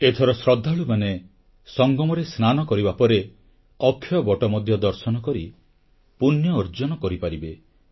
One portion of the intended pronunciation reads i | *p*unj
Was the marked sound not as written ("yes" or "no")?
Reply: no